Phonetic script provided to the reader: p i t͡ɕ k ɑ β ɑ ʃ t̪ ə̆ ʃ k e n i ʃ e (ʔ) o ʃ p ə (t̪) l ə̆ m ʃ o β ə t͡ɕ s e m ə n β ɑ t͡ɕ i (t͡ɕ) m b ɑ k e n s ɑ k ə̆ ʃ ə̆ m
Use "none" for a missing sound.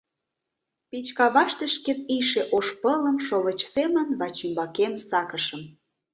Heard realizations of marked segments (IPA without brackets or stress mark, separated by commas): ʔ, none, none